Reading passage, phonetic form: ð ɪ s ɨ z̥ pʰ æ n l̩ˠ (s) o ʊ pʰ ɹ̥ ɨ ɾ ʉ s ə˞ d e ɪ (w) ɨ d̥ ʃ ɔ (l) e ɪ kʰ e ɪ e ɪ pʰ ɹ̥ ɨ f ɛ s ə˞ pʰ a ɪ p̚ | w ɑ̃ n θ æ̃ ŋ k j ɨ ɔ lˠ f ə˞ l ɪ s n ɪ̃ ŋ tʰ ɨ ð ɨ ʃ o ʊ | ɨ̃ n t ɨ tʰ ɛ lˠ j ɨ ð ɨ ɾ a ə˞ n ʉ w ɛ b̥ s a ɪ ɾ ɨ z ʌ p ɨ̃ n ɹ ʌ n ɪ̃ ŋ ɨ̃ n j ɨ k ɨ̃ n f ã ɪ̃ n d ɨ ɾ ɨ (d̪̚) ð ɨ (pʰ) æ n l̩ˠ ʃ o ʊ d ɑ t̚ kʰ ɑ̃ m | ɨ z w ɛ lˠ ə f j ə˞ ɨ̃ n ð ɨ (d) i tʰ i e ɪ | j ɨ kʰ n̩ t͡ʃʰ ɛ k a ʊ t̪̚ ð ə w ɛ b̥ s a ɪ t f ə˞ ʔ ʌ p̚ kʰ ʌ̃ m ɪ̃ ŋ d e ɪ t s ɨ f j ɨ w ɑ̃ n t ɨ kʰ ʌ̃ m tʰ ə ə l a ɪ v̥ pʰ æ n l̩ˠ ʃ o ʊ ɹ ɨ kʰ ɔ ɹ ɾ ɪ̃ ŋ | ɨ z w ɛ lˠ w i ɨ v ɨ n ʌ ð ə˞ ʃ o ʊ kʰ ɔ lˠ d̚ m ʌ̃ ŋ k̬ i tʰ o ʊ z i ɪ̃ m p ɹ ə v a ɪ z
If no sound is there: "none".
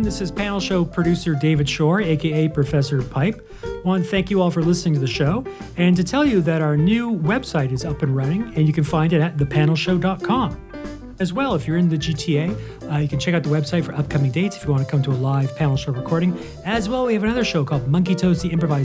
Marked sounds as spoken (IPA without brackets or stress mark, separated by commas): ʃ, v, ɹ, t̪̚, pʰ, d͡ʒ